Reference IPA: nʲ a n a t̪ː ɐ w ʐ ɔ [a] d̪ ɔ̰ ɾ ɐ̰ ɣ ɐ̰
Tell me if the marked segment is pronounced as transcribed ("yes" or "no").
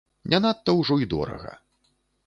no